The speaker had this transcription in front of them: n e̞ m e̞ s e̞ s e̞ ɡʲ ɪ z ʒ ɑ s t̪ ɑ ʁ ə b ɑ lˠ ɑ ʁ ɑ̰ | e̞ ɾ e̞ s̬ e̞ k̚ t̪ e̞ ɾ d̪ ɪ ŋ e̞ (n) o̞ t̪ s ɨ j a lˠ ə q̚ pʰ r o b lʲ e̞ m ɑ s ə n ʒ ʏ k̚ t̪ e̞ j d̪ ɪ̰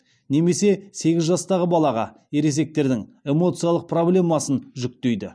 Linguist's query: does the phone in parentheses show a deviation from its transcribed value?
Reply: yes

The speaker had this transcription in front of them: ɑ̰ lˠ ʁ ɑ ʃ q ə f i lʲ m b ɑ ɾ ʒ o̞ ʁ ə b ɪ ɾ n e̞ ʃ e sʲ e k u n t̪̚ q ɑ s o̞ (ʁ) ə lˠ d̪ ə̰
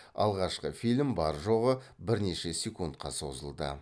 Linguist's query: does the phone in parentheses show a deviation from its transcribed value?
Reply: yes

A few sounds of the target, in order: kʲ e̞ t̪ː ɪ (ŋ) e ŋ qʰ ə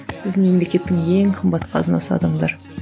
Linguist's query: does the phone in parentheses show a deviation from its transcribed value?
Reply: no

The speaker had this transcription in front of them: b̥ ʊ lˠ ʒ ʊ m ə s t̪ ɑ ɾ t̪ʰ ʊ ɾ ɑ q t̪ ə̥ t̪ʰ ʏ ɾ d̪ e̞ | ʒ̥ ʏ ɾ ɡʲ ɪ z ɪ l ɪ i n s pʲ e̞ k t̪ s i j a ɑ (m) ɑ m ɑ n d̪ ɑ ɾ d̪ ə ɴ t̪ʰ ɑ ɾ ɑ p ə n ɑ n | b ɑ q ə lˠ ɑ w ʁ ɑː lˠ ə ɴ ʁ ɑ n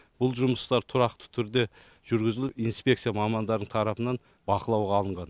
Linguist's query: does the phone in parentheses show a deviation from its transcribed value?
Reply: no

